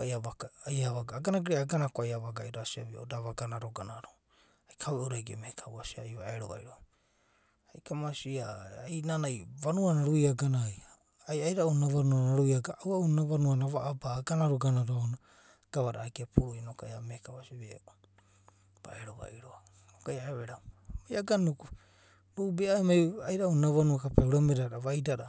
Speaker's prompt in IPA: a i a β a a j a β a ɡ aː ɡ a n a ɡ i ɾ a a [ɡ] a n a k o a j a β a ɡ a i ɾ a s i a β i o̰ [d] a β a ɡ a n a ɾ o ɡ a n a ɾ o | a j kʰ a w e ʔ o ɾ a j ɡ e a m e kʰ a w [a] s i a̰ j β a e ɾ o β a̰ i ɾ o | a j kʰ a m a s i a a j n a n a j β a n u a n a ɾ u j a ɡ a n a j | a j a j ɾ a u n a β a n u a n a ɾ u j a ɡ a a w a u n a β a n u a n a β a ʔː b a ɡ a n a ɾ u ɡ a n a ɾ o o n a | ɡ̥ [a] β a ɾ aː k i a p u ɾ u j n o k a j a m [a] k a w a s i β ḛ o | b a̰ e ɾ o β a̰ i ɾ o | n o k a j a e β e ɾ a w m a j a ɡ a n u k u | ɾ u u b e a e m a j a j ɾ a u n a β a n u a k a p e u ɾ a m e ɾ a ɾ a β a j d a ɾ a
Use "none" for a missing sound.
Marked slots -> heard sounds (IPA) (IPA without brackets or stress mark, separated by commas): ɡ, d, a, a, e